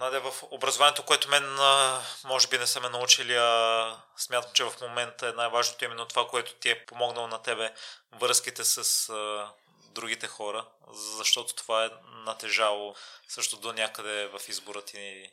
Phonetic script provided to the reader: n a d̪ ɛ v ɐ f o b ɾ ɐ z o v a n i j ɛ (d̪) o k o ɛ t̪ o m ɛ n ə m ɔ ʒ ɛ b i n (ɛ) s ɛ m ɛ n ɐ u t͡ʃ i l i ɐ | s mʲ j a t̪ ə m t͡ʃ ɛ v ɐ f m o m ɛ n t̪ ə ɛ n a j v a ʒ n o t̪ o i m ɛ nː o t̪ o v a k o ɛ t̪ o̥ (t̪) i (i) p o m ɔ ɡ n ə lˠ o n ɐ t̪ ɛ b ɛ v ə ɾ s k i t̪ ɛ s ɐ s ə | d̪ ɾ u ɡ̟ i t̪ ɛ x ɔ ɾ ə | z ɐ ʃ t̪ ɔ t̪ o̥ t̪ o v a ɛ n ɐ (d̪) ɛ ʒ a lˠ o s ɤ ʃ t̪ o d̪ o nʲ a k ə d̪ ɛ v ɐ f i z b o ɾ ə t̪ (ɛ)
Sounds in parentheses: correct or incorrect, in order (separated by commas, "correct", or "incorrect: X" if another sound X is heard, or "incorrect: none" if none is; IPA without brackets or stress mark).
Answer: incorrect: t̪, correct, correct, incorrect: ɛ, incorrect: t̪, incorrect: i